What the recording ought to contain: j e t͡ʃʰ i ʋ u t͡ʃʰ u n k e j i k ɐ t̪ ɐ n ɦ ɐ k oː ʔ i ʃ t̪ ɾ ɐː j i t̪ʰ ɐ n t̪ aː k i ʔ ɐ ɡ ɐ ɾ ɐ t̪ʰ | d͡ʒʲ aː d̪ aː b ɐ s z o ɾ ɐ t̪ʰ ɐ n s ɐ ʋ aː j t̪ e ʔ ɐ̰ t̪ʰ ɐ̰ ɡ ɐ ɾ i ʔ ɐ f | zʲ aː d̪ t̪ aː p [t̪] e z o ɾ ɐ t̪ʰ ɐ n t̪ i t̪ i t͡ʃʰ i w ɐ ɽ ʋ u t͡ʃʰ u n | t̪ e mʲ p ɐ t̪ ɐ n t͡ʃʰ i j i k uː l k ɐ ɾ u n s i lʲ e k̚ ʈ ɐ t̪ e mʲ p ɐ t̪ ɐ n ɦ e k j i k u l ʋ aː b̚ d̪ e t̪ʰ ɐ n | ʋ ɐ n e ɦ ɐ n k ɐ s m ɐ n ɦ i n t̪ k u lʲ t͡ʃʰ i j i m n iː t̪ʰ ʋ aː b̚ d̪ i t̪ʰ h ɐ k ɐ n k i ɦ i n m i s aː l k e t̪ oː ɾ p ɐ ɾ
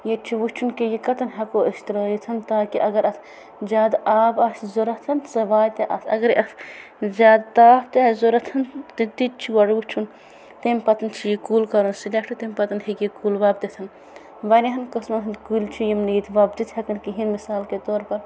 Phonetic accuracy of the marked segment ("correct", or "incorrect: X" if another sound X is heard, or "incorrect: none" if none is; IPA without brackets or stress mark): correct